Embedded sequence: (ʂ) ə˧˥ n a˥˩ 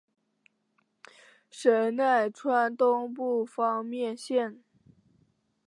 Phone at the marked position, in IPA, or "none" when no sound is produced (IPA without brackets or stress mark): ʂ